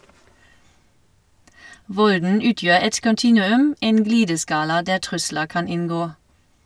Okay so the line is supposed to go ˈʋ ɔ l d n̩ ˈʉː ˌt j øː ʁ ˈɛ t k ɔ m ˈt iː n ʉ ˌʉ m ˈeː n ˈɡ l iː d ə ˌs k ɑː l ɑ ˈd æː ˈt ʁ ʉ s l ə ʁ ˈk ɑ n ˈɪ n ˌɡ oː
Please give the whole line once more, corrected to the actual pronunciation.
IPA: ˈʋ ɔ l d n̩ ˈʉː ˌt j øː ʁ ˈɛ t k ɔ n ˈt iː n ʉ ˌʉ m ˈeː n ˈɡ l iː d ə ˌs k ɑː l ɑ ˈd æː ˈt ʁ ʉ s l ə ʁ ˈk ɑ n ˈɪ n ˌɡ oː